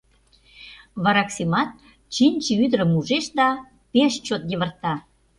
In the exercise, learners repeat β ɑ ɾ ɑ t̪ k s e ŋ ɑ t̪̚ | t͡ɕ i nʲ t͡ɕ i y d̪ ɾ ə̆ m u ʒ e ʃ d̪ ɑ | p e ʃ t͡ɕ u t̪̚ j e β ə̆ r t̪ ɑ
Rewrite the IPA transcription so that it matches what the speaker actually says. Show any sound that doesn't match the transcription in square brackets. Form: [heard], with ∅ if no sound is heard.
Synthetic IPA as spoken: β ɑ ɾ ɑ [∅] k s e [m] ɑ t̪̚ | t͡ɕ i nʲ t͡ɕ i y d̪ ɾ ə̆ m u ʒ e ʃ d̪ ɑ | p e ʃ t͡ɕ [o] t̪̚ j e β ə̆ r t̪ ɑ